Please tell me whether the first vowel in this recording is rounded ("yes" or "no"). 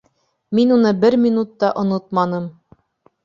no